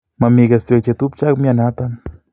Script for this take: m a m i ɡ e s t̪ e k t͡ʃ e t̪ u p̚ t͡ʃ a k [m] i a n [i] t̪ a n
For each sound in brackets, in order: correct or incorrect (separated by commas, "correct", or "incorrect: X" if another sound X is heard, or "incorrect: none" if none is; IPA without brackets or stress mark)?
correct, incorrect: a